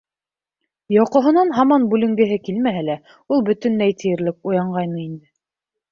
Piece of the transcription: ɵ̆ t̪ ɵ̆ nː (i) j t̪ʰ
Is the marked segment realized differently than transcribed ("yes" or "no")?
yes